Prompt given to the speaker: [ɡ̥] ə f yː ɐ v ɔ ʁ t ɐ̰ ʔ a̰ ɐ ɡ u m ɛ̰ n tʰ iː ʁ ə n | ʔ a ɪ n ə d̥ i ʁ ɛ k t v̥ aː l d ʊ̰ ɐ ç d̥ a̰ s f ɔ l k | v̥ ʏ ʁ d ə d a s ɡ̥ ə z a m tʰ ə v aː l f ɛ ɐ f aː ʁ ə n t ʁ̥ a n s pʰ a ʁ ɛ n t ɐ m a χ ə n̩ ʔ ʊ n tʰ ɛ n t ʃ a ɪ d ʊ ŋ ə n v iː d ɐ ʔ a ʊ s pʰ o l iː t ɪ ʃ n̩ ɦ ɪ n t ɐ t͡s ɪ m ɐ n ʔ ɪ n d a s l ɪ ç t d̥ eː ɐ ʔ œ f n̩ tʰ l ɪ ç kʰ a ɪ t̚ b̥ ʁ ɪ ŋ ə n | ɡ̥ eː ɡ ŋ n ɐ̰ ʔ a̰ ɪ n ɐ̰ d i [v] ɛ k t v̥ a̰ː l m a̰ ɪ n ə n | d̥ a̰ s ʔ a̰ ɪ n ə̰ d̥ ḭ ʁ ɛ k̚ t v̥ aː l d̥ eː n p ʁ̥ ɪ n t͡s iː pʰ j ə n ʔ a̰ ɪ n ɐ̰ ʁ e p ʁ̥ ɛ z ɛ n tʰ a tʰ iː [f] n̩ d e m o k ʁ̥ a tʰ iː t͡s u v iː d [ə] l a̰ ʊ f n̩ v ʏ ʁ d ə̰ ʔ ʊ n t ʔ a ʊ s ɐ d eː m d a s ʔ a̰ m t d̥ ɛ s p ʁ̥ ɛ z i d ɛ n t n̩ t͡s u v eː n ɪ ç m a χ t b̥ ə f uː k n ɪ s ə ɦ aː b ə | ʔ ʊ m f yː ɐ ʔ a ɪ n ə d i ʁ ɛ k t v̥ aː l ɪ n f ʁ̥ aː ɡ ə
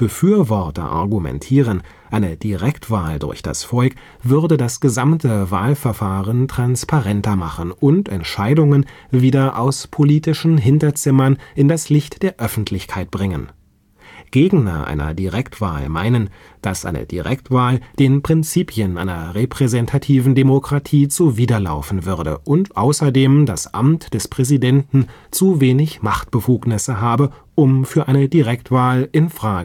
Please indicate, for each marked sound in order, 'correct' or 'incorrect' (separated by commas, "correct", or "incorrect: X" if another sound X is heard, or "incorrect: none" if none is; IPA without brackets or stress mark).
incorrect: b̥, incorrect: ʁ, incorrect: v, incorrect: ɐ